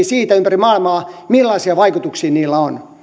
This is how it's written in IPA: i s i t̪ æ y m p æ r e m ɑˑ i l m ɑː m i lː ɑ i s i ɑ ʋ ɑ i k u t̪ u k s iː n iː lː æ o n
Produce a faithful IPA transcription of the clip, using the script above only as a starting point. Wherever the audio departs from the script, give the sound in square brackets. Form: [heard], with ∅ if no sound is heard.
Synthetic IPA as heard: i s [iː] t̪ æ y m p æ r [i] m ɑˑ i l m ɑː m i lː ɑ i s i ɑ ʋ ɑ i k u t̪ u k s iː n iː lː æ o n